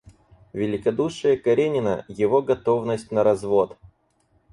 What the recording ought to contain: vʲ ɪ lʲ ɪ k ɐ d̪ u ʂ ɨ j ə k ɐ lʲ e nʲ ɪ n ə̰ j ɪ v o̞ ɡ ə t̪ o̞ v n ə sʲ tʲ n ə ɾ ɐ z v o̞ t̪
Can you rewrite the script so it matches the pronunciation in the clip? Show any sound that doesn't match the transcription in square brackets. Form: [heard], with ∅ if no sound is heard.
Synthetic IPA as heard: vʲ ɪ lʲ ɪ k ɐ d̪ u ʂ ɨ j ə k ɐ [ɾʲ] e nʲ ɪ n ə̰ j ɪ v o̞ ɡ [ɐ] t̪ o̞ v n ə sʲ tʲ n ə ɾ ɐ z v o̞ t̪